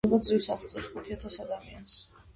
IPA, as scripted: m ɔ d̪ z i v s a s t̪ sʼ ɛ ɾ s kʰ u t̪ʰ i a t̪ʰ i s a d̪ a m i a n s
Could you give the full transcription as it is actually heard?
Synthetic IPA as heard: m ɔ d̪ z i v s a χ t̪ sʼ ɛ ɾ s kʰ u t̪ʰ i a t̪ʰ a s a d̪ a m i a n s